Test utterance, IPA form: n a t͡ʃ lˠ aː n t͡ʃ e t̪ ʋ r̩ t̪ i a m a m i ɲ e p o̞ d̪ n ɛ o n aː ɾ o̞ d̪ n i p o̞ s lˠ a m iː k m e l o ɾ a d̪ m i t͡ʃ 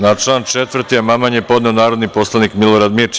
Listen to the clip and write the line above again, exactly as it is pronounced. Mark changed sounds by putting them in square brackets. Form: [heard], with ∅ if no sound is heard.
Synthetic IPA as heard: n a t͡ʃ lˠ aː n t͡ʃ e t̪ ʋ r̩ t̪ i a m a m [a] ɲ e p o̞ d̪ n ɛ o n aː ɾ o̞ d̪ n i p o̞ s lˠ a [n] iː k m [i] l o ɾ a d̪ m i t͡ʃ

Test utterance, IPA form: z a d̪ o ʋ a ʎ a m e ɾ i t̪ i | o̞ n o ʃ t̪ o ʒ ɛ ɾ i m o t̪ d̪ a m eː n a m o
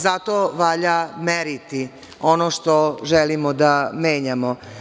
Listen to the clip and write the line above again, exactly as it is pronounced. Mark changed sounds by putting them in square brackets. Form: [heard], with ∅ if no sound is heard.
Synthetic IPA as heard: z a [t̪] o ʋ a ʎ a m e ɾ i t̪ i | o̞ n o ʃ t̪ o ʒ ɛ [l] i m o [∅] d̪ a m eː [ɲ] a m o

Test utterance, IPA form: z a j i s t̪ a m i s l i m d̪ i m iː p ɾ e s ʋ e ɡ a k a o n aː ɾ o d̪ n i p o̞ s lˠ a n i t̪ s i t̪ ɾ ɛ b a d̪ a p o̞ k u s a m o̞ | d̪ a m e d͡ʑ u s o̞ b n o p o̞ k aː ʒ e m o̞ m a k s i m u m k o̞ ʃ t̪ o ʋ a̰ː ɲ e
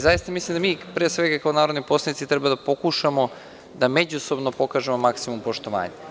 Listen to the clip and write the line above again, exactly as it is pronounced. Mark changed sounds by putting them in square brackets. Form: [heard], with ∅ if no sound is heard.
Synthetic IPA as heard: z a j i s t̪ a m i s l i m d̪ [a] m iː p ɾ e s ʋ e ɡ a k a o n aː ɾ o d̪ n i p o̞ s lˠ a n i t̪ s i t̪ ɾ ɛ b a d̪ a p o̞ k u [ʃ] a m o̞ | d̪ a m e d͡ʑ u s o̞ b n o p o̞ k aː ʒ e m o̞ m a k s i m u m [p] o̞ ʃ t̪ o ʋ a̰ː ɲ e

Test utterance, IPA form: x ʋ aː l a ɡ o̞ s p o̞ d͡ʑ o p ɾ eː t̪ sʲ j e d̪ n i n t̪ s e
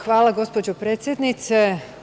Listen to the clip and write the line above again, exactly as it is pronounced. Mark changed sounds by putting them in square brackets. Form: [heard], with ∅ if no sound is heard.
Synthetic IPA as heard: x ʋ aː l a ɡ o̞ s p o̞ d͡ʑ o p ɾ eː t̪ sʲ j e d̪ n i [∅] t̪ s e

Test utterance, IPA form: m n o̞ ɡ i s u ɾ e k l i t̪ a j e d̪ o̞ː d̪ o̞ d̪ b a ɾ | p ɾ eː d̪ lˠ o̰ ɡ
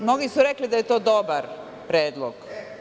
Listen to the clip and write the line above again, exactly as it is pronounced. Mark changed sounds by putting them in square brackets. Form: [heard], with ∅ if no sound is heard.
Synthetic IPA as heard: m n o̞ ɡ i s u ɾ e k l i [d̪] a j e [t̪] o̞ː d̪ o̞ [∅] b a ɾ | p ɾ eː d̪ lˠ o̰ ɡ

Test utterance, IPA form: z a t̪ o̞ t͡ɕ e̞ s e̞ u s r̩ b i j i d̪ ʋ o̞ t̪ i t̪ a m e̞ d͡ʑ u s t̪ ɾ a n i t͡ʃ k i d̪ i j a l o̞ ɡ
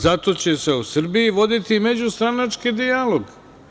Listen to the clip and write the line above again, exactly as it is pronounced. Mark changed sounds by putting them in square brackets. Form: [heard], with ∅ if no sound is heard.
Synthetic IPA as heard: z a t̪ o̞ t͡ɕ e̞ s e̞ u s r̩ b i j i [∅] ʋ o̞ [d̪] i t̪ [i] m e̞ d͡ʑ u s t̪ ɾ a n [a] t͡ʃ k i d̪ i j a l o̞ ɡ

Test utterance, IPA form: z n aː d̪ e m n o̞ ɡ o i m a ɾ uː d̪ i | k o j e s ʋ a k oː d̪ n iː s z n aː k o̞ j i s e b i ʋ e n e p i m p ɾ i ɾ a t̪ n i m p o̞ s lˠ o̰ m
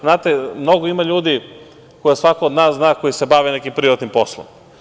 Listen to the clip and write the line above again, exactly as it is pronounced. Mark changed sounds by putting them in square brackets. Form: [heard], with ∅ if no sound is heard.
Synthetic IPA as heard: z n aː [t̪] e m n o̞ ɡ o i m a [ʎ] uː d̪ i | k o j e s ʋ a k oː d̪ n [aː] s z n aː k o̞ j i s e b [a] ʋ e n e [k] i m p ɾ i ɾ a t̪ n i m p o̞ s lˠ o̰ m

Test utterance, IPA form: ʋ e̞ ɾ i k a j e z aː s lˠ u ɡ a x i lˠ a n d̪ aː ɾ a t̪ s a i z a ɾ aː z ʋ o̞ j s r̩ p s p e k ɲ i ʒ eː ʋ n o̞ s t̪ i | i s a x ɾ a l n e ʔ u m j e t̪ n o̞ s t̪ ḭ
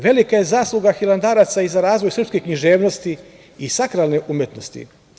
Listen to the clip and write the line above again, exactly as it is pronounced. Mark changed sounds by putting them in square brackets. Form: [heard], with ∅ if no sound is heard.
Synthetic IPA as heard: ʋ e̞ [l] i k a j e z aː s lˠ u ɡ a x i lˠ a n d̪ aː ɾ a t̪ s a i z a ɾ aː z ʋ o̞ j s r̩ p s [k] e k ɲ i ʒ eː ʋ n o̞ s t̪ i | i s a [k] ɾ a l n e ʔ u m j e t̪ n o̞ s t̪ ḭ

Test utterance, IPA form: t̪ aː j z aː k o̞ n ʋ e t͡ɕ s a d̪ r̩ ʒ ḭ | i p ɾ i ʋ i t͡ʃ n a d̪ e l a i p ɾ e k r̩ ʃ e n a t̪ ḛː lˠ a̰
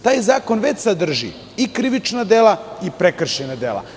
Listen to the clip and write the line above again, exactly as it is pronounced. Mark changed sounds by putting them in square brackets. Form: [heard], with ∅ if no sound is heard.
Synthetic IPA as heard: t̪ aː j z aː k o̞ n ʋ e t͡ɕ s a d̪ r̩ ʒ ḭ | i [k] ɾ i ʋ i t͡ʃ n a d̪ e l a i p ɾ e k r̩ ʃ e n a [d̪] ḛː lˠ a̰

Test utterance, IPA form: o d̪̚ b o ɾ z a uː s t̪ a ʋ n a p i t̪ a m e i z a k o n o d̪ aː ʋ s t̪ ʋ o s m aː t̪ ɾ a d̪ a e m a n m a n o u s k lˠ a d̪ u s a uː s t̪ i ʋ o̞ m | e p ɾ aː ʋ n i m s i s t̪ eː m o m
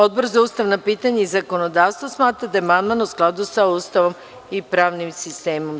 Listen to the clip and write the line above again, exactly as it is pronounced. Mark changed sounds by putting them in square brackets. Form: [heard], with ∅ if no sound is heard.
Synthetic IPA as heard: o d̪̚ b o ɾ z a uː s t̪ a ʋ n a p i t̪ a [ɲ] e i z a k o n o d̪ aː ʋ s t̪ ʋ o s m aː t̪ ɾ a d̪ a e m a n m a n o u s k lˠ a d̪ u s a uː s t̪ [a] ʋ o̞ m | [i] p ɾ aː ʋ n i m s i s t̪ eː m o m

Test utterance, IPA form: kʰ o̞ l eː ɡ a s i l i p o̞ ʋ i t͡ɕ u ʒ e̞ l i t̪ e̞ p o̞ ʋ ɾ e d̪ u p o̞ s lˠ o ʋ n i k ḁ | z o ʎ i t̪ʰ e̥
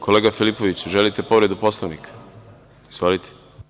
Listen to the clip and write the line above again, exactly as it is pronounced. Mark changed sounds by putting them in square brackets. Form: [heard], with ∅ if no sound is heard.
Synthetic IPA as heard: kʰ o̞ l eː ɡ a [f] i l i p o̞ ʋ i t͡ɕ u ʒ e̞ l i t̪ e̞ p o̞ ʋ ɾ e d̪ u p o̞ s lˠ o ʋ n i k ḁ | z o [l] i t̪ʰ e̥

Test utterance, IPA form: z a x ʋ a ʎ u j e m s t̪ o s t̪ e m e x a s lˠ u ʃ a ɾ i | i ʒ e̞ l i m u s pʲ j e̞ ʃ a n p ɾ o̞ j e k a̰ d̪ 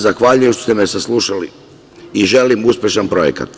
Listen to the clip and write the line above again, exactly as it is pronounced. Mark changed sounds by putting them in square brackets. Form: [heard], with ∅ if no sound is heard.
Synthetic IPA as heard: z a x ʋ a ʎ u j e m [ʃ] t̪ o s t̪ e m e [s] a s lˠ u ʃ a [l] i | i ʒ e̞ l i m u s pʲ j e̞ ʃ a n p ɾ o̞ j e k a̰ [t̪]

